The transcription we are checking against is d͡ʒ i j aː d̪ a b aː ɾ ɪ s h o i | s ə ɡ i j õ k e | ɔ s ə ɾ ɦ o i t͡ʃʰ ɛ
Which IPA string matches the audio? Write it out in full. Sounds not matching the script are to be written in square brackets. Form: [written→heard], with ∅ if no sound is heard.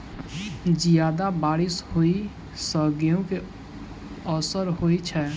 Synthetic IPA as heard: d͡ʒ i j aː d̪ a b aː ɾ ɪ s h o i | s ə ɡ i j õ k e | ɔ s ə ɾ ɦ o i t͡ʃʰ ɛ